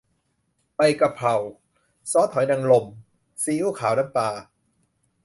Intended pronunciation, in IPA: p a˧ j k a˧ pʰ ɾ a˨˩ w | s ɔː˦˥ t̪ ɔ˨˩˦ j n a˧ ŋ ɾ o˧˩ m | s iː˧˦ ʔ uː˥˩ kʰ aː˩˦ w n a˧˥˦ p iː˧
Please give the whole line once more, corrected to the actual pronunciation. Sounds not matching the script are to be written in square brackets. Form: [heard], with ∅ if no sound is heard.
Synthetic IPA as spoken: p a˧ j k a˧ pʰ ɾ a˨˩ w | s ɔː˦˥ [t̪ʰ] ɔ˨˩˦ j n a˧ ŋ [l] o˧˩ m | s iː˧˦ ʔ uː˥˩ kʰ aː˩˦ w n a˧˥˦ p [aː˧]